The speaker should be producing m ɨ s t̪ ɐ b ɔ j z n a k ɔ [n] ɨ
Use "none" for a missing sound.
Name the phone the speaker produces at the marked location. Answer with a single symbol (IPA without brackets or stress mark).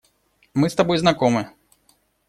m